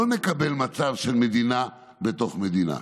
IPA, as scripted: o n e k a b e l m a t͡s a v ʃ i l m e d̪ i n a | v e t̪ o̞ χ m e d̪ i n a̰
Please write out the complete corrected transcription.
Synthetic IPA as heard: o n e k a b e l m a t͡s a v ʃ e l m e d̪ i n a | b e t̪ o̞ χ m e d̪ i n a̰